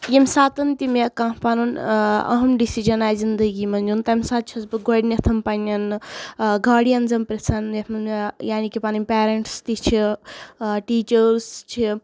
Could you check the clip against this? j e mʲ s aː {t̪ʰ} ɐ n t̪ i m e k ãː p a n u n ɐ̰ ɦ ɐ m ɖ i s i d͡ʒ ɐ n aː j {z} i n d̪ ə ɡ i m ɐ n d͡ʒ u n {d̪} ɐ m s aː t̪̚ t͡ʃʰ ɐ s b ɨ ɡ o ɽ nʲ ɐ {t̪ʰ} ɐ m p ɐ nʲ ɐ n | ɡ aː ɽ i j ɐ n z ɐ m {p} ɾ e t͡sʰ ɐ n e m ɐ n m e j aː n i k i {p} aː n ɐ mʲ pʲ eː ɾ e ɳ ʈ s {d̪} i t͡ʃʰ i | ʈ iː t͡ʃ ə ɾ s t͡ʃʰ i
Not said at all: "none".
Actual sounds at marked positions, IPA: t̪, z, t̪, t̪ʰ, p, p, t̪

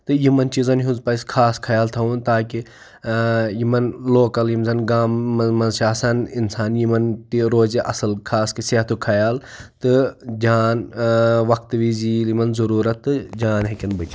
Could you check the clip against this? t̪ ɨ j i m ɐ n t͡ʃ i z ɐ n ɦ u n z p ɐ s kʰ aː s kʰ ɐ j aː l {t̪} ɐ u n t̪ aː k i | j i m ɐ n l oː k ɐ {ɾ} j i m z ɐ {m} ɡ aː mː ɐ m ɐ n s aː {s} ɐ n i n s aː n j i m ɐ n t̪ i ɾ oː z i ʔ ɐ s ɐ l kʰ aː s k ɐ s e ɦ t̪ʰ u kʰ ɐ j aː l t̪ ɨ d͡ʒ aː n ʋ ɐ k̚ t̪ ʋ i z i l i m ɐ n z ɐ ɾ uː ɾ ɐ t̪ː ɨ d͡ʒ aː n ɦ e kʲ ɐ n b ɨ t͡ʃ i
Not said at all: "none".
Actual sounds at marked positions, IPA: t̪ʰ, l, n, s

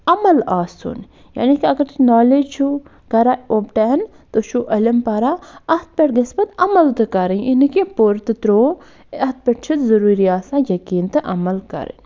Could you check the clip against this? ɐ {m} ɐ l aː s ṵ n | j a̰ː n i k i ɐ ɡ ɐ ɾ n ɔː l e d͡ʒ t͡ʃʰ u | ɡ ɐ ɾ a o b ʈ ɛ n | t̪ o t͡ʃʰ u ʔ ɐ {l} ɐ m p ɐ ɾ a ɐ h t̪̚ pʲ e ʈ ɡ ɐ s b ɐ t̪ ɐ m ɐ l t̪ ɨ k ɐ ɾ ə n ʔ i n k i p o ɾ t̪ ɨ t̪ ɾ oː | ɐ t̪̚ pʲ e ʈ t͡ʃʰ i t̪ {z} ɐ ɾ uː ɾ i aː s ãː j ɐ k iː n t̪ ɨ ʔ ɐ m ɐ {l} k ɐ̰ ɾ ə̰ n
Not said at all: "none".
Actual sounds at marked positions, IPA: m, l, z, l

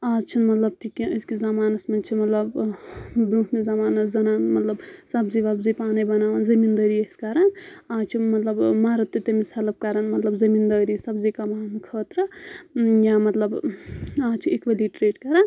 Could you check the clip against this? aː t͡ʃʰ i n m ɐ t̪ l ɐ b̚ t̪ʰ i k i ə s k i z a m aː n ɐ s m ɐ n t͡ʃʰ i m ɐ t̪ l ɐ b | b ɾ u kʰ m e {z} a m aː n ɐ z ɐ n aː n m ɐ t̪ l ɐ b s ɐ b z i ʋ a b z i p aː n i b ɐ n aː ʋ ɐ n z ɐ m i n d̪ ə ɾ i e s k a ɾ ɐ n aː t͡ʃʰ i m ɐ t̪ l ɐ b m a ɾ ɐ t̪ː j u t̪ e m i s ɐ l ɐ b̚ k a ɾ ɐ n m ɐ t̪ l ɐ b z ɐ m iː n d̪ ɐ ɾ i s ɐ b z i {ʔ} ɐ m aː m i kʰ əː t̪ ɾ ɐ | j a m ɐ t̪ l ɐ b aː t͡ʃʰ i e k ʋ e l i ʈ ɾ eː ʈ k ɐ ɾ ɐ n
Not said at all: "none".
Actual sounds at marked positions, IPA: z, k

